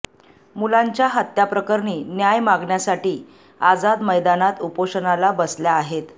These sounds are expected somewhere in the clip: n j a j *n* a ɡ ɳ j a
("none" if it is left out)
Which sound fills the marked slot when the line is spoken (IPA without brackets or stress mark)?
m